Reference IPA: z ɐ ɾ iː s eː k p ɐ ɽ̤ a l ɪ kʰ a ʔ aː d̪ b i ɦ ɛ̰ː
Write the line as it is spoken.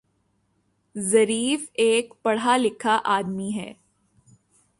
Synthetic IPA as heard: z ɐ ɾ iː f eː k p ɐ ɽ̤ a l ɪ kʰ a ʔ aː d̪ m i ɦ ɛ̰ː